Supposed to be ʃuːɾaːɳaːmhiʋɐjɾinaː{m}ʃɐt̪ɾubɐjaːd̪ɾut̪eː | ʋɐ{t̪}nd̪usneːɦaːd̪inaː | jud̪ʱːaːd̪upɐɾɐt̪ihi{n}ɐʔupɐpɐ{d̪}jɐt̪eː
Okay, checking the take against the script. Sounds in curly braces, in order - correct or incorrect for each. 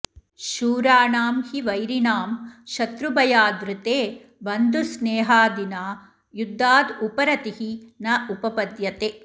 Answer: correct, incorrect, correct, correct

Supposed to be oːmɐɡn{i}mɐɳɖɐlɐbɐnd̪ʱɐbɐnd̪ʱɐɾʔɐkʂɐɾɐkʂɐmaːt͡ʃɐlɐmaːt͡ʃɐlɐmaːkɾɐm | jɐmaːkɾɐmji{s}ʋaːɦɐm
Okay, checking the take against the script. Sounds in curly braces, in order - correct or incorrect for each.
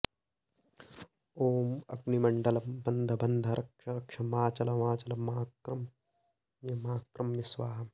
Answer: correct, correct

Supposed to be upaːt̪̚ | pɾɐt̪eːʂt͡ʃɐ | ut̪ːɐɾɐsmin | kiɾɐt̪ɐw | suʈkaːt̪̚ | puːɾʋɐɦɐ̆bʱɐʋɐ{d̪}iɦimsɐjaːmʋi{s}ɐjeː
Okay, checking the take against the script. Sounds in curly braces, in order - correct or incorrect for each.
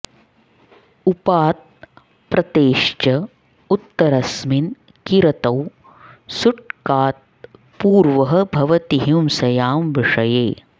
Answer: incorrect, incorrect

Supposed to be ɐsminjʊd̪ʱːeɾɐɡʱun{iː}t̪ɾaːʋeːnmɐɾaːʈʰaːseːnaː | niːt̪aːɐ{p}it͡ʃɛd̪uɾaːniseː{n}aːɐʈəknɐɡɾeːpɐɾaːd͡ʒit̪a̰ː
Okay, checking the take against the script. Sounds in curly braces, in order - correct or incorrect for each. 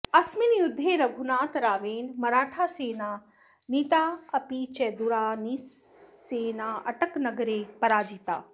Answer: incorrect, correct, correct

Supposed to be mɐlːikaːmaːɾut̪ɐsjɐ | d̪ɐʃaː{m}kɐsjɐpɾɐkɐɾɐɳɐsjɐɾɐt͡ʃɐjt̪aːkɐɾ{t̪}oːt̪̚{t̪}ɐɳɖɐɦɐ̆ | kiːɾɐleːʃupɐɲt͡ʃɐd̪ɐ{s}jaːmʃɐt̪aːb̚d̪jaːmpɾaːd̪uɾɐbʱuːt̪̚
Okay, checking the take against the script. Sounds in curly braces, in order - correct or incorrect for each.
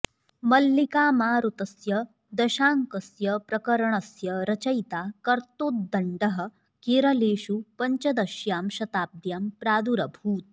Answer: incorrect, correct, incorrect, incorrect

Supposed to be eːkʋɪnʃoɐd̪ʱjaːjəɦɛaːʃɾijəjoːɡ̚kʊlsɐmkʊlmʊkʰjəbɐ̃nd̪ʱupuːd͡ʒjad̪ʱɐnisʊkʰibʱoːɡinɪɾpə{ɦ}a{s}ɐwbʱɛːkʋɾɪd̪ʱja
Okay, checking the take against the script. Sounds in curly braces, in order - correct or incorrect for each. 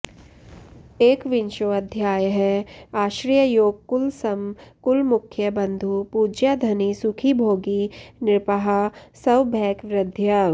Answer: correct, correct

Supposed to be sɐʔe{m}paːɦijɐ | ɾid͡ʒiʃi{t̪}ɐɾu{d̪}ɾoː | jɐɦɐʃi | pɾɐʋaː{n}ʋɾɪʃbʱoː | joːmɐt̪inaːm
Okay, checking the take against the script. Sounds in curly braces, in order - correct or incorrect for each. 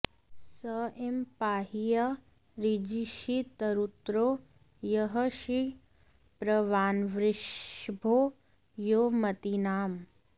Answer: correct, correct, incorrect, correct

